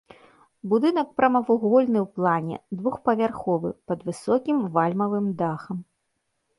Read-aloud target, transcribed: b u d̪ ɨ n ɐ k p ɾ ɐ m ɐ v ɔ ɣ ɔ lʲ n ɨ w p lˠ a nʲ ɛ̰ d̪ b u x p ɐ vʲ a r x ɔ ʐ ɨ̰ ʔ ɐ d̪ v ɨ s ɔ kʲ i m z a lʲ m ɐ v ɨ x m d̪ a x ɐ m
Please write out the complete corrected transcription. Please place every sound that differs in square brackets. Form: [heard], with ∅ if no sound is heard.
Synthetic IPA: b u d̪ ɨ n ɐ k p ɾ ɐ m ɐ v [u] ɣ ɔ lʲ n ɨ w p lˠ a nʲ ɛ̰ d̪ [v] u x p ɐ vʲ a r x ɔ [v] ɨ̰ [p] ɐ d̪ v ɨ s ɔ kʲ i m [v] a lʲ m ɐ v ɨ [∅] m d̪ a x ɐ m

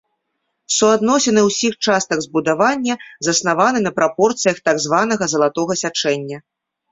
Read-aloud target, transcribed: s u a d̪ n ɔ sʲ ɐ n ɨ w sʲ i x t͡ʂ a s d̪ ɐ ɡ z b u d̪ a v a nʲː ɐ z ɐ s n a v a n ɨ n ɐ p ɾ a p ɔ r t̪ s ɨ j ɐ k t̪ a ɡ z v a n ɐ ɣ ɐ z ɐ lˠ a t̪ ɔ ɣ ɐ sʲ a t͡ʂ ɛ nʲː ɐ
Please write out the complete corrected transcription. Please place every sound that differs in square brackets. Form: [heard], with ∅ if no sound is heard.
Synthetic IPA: s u a d̪ n ɔ sʲ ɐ n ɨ w sʲ i x t͡ʂ a s [t̪] ɐ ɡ z b u d̪ a v a nʲː ɐ z ɐ s n a v a n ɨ n ɐ p ɾ a p ɔ r t̪ s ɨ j ɐ [x] t̪ a ɡ z v a n ɐ ɣ ɐ z ɐ lˠ a t̪ ɔ ɣ ɐ sʲ a t͡ʂ ɛ nʲː ɐ

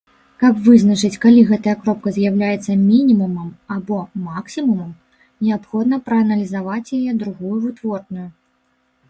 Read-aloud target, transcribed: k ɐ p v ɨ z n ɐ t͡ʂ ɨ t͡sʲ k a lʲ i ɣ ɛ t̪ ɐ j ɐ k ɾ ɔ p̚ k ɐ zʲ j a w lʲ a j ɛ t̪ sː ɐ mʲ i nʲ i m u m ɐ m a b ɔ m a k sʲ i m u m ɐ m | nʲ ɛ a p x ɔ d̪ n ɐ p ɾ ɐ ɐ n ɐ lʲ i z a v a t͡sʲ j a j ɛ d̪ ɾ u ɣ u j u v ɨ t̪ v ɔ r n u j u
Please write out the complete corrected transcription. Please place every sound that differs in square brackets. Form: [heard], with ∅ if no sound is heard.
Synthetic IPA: k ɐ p v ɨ z n ɐ t͡ʂ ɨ t͡sʲ k a lʲ i ɣ ɛ t̪ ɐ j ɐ k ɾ ɔ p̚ k ɐ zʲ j a w lʲ a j ɛ t̪ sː ɐ mʲ i nʲ i m u m ɐ m a b ɔ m a k sʲ i m u m ɐ m | nʲ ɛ a p x ɔ d̪ n ɐ p ɾ ɐ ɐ n ɐ lʲ i z a v a t͡sʲ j a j ɛ d̪ ɾ u ɣ u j u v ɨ t̪ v ɔ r n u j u

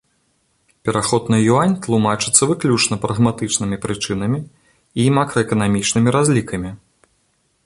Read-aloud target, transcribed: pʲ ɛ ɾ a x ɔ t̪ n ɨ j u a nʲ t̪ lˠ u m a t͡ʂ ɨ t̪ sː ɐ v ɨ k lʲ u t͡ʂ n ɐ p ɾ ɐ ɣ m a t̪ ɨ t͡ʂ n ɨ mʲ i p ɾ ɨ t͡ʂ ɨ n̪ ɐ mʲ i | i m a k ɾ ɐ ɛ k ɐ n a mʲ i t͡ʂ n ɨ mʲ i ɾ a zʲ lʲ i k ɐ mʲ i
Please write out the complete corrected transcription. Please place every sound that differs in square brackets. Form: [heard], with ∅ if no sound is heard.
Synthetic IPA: pʲ ɛ ɾ a x ɔ [d̪] n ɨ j u a nʲ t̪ lˠ u m a t͡ʂ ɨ t̪ sː ɐ v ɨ k lʲ u t͡ʂ n ɐ p ɾ ɐ ɣ m a t̪ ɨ t͡ʂ n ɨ mʲ i p ɾ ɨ t͡ʂ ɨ n̪ ɐ mʲ i | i m a k ɾ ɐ ɛ k ɐ n a mʲ i t͡ʂ n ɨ mʲ i ɾ a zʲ lʲ i k ɐ mʲ i

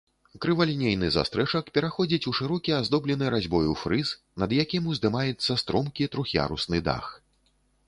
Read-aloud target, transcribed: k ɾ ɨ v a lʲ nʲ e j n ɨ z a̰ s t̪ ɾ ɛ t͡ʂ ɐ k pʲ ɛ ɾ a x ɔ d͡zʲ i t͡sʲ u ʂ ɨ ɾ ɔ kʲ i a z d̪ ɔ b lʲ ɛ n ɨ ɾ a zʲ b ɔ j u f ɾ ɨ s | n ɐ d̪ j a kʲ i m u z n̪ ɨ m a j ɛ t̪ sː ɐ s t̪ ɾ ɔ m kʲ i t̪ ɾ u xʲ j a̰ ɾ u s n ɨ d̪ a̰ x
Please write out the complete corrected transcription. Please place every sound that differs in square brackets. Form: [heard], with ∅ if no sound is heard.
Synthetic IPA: k ɾ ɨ v a lʲ nʲ e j n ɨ z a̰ s t̪ ɾ ɛ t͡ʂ ɐ k pʲ ɛ ɾ a x ɔ d͡zʲ i t͡sʲ u ʂ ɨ ɾ ɔ kʲ i a z d̪ ɔ b lʲ ɛ n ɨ ɾ a zʲ b ɔ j u f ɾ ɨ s | n ɐ d̪ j a kʲ i m u z [d̪] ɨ m a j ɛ t̪ sː ɐ s t̪ ɾ ɔ m kʲ i t̪ ɾ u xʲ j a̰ ɾ u s n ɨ d̪ a̰ x

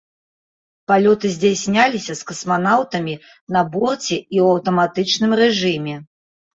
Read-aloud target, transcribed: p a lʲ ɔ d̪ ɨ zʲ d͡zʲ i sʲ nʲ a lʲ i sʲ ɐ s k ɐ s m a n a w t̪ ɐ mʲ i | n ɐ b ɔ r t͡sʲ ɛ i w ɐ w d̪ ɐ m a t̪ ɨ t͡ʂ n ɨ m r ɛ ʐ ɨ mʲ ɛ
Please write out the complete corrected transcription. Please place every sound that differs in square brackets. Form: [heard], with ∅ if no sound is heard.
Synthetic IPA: p a lʲ ɔ [t̪] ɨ zʲ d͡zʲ [a] sʲ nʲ a lʲ i sʲ ɐ s k ɐ s m a n a w t̪ ɐ mʲ i | n ɐ b ɔ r t͡sʲ ɛ i w ɐ w [t̪] ɐ m a t̪ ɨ t͡ʂ n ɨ m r ɛ ʐ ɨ mʲ ɛ

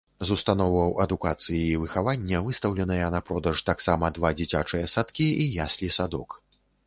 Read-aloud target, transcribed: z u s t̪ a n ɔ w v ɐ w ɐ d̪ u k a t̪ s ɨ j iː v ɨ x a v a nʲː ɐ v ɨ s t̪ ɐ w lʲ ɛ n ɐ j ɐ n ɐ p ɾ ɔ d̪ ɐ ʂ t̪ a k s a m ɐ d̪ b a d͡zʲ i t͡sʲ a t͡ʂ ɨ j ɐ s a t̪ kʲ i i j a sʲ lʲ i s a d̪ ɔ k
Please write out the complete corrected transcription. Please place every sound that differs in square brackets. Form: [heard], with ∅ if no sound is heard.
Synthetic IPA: z u s t̪ a n ɔ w v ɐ w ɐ d̪ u k a t̪ s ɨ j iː v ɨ x a v a nʲː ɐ v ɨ s t̪ ɐ w lʲ ɛ n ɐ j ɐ n ɐ p ɾ ɔ d̪ ɐ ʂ t̪ a k s a m ɐ d̪ [v] a d͡zʲ i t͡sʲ a t͡ʂ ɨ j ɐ s a t̪ kʲ i i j a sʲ lʲ i s a d̪ ɔ k

